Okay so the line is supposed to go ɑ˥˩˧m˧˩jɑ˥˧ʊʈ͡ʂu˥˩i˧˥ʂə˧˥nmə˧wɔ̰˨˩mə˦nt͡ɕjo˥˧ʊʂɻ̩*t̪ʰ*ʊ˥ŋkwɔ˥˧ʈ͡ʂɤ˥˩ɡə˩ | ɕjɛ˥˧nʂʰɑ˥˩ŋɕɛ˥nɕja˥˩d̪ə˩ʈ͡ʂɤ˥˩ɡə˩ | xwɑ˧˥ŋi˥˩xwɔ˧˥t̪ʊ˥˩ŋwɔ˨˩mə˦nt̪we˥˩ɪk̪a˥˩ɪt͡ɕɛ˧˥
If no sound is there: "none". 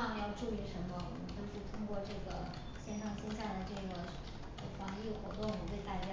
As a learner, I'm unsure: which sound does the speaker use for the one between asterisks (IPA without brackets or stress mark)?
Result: t̪ʰ